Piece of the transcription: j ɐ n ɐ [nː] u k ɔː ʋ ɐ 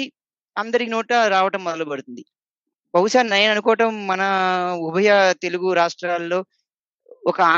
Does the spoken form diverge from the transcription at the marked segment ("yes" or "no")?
yes